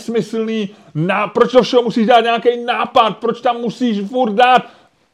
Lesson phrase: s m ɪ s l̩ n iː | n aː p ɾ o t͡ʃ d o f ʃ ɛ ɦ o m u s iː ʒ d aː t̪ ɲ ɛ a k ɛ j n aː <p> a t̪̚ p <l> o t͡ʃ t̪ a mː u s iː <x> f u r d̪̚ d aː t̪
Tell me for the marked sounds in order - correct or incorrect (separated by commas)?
correct, incorrect, incorrect